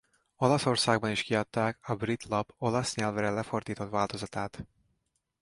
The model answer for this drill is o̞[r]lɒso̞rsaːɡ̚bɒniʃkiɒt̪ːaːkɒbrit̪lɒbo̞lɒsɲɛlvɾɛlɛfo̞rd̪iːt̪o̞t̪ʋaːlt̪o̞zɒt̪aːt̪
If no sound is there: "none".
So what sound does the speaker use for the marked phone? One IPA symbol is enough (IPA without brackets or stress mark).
none